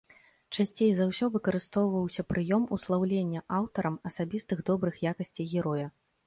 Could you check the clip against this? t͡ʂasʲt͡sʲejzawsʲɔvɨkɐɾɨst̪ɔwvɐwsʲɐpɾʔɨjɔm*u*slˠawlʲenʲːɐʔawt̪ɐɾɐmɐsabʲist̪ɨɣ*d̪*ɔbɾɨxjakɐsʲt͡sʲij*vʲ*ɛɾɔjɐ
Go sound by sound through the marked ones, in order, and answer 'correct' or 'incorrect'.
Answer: correct, correct, incorrect: ɣʲ

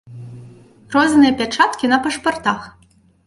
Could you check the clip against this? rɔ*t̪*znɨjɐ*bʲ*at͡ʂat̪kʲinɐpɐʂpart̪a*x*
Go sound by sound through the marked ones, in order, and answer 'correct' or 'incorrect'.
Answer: incorrect: none, incorrect: pʲ, correct

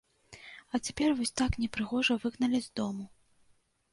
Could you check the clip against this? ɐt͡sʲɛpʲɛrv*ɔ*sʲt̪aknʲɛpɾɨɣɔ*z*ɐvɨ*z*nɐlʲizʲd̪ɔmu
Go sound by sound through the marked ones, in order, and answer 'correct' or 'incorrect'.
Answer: correct, incorrect: ʐ, incorrect: ɣ

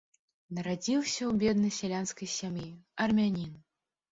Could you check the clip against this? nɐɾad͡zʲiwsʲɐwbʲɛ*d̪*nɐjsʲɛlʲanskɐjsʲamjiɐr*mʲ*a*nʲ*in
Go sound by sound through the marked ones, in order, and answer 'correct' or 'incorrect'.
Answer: correct, correct, correct

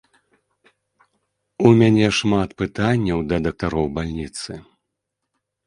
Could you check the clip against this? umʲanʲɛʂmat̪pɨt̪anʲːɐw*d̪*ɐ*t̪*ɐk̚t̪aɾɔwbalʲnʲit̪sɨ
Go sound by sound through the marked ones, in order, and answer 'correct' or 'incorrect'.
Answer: correct, incorrect: d̪

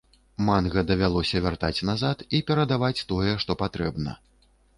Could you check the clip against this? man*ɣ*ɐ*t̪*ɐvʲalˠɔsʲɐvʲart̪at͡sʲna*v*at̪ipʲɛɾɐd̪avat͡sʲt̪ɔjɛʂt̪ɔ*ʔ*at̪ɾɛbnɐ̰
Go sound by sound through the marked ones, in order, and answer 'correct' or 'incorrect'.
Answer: correct, incorrect: d̪, incorrect: z, incorrect: p

